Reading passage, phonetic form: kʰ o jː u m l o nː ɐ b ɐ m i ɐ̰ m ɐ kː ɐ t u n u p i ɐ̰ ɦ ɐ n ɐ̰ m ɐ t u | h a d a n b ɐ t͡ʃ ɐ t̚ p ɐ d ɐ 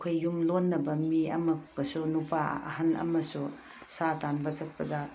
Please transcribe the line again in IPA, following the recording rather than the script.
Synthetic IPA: kʰ o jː u m l o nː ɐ b ɐ m i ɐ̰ m ɐ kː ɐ s u n u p a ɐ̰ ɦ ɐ n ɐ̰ m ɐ s u | s a t a n b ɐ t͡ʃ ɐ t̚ p ɐ d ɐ